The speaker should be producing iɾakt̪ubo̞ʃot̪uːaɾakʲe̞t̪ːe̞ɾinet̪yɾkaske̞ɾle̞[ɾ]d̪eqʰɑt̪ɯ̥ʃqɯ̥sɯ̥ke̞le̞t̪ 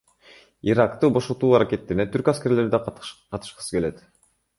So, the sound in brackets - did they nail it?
yes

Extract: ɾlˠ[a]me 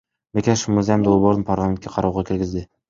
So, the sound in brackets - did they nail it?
yes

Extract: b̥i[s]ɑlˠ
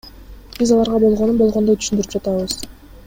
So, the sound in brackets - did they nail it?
no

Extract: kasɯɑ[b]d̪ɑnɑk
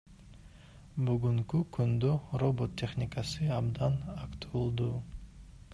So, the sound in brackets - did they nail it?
yes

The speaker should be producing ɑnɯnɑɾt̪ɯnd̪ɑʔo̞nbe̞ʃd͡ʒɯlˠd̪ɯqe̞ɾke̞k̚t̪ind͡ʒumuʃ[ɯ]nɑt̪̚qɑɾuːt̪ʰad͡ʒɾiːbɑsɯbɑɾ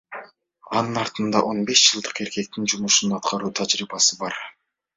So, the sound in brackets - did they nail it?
no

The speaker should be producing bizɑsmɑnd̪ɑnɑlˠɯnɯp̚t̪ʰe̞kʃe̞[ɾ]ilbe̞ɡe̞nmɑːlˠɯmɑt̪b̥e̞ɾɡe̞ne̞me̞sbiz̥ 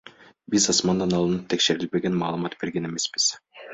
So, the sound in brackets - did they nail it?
yes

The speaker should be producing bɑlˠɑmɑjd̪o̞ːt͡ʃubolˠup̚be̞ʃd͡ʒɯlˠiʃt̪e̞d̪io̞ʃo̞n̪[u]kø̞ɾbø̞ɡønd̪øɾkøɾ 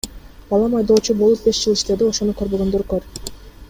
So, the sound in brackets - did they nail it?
yes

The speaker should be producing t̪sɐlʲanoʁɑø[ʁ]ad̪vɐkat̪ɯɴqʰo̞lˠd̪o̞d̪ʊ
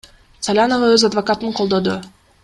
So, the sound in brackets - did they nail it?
no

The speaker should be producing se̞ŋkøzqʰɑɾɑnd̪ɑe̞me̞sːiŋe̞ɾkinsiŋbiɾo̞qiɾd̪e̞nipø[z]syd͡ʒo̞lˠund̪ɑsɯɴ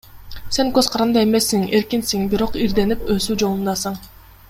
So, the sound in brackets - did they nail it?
no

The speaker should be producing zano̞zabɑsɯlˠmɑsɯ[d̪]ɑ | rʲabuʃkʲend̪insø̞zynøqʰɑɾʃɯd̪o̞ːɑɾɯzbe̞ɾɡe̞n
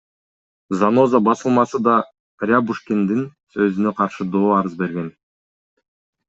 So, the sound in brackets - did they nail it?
yes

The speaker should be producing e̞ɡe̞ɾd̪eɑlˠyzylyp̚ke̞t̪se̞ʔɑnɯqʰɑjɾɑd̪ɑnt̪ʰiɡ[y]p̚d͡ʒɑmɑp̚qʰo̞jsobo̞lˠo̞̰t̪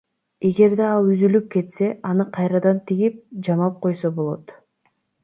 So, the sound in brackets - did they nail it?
no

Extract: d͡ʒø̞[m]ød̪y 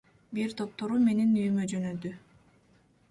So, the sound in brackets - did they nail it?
no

